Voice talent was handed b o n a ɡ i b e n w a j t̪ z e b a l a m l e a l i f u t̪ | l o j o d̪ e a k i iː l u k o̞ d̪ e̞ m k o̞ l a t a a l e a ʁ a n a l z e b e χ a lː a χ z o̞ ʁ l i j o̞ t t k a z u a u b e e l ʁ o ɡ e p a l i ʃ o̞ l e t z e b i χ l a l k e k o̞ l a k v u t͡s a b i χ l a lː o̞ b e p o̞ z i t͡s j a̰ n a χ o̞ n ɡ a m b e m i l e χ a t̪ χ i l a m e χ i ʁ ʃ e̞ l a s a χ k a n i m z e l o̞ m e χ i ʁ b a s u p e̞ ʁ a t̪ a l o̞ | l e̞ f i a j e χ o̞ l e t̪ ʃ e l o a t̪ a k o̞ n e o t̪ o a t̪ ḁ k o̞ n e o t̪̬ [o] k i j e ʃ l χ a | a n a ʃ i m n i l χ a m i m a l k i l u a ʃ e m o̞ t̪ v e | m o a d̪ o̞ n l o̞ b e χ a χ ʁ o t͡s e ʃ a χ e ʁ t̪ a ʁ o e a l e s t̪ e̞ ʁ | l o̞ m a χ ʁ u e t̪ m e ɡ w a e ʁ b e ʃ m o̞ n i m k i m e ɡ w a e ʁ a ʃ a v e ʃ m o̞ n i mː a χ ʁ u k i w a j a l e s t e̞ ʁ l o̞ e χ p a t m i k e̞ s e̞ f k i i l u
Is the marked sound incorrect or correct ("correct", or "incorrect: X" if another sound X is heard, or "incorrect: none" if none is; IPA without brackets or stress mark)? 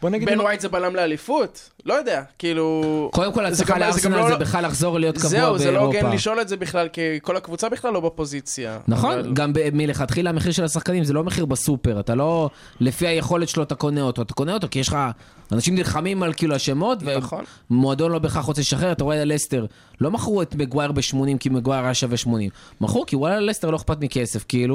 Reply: correct